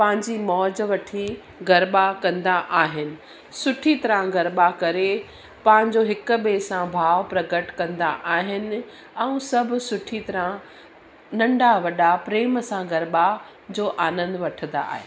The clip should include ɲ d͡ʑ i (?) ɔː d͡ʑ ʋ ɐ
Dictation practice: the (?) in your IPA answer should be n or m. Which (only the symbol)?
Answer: m